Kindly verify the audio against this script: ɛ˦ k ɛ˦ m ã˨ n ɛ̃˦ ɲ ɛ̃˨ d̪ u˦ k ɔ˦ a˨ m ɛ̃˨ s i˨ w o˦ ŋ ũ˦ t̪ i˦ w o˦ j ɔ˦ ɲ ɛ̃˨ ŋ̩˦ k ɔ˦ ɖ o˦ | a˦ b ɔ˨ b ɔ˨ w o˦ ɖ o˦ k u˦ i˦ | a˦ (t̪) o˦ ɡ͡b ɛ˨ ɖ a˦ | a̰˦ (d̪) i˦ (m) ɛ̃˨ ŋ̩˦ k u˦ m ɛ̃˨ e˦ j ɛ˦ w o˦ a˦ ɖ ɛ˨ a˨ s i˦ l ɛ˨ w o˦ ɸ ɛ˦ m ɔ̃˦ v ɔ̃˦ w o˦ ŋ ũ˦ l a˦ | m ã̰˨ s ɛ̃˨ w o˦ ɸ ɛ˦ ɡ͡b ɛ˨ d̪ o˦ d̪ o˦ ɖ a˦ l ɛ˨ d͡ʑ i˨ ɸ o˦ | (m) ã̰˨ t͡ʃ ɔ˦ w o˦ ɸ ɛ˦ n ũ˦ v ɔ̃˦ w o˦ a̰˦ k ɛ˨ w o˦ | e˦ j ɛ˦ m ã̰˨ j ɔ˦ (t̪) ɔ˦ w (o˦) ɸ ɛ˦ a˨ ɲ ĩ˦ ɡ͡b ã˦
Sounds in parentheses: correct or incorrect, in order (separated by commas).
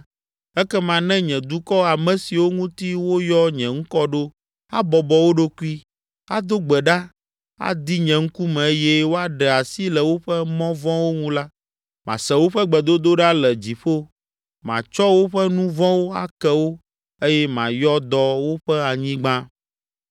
incorrect, correct, incorrect, correct, incorrect, correct